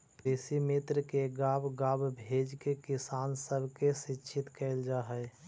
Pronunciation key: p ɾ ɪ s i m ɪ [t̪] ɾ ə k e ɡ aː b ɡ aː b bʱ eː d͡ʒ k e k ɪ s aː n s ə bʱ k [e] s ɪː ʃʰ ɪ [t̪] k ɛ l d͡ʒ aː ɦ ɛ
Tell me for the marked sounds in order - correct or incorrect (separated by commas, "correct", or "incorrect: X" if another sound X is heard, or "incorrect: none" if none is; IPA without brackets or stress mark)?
correct, correct, correct